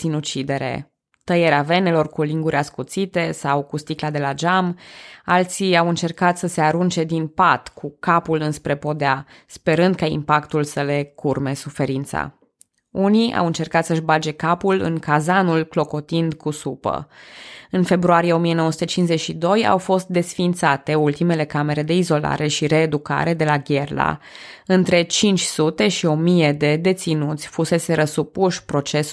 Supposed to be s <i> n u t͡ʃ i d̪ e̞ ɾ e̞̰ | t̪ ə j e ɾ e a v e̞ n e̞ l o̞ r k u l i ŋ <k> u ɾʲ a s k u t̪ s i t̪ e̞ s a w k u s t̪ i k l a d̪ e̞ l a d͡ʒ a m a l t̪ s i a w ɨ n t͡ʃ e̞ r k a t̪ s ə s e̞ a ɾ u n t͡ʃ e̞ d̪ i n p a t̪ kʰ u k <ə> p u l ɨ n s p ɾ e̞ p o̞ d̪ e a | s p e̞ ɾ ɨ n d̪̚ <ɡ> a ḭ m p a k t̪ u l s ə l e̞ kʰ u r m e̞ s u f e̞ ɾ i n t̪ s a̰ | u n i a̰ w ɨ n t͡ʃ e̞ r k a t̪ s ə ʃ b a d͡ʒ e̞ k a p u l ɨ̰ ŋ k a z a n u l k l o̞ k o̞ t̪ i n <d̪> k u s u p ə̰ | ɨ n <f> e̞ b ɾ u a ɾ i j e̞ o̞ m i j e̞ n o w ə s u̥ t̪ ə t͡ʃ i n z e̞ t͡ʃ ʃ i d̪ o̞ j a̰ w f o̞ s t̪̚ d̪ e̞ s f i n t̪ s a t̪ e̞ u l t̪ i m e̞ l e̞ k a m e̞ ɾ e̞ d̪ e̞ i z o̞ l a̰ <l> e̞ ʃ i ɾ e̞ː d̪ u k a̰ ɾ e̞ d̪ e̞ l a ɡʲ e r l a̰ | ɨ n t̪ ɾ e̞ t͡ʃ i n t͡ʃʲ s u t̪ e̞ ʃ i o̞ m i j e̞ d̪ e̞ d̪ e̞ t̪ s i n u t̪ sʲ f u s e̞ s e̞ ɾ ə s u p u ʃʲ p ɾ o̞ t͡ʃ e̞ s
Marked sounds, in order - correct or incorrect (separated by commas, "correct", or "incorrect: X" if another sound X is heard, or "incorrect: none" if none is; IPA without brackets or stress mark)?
correct, incorrect: ɡ, incorrect: a, incorrect: k, correct, correct, incorrect: ɾ